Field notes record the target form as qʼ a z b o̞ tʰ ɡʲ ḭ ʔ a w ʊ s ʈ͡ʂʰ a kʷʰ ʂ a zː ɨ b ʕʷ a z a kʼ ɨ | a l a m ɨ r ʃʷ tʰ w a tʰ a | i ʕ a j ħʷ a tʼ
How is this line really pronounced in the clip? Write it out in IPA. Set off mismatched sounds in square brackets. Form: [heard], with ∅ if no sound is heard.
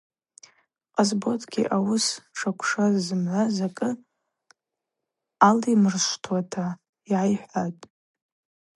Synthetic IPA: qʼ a z b o̞ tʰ ɡʲ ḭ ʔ a w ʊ s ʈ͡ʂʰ a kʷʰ ʂ a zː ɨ [m] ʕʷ a z a kʼ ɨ | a l [i] m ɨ r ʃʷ tʰ w a tʰ a | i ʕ a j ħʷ a tʼ